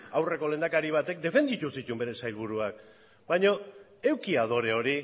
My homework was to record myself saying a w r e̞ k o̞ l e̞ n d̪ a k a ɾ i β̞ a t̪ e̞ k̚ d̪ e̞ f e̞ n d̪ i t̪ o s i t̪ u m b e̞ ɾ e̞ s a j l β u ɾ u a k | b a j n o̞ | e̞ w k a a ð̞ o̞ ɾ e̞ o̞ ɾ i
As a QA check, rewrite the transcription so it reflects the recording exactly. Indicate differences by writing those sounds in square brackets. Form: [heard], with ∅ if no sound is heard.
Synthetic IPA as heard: a w r e̞ k o̞ l e̞ n d̪ a k a ɾ i β̞ a t̪ e̞ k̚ d̪ e̞ f e̞ n d̪ i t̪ [u] s i t̪ u m b e̞ ɾ e̞ s a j l β u ɾ u a k | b a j [ɲ] o̞ | e̞ w k [i] a ð̞ o̞ ɾ e̞ o̞ ɾ i